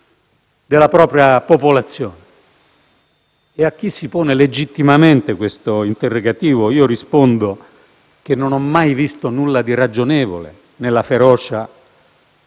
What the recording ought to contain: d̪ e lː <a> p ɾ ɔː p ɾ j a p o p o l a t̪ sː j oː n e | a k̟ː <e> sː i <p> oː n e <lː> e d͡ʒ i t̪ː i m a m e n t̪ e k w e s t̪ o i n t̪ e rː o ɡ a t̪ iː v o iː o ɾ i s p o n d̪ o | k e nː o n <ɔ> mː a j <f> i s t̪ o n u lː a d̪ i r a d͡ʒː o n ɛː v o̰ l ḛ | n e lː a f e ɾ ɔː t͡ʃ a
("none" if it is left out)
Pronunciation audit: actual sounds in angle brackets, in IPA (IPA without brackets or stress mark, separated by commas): a, i, p, l, ɔ, v